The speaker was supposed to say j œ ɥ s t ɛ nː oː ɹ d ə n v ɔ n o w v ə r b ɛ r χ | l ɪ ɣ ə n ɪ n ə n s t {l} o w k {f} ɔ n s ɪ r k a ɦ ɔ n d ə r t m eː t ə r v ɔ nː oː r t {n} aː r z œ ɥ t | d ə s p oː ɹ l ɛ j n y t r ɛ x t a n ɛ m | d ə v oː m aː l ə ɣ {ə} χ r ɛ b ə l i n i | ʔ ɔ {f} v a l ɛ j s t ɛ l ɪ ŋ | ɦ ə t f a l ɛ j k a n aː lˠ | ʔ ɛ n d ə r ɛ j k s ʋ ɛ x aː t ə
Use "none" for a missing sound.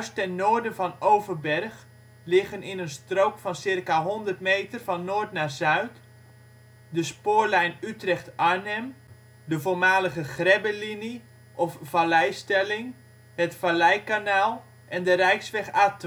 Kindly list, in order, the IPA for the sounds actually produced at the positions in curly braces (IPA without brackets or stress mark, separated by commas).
r, f, n, ə, f